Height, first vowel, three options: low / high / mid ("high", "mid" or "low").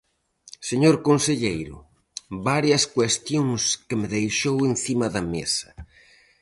mid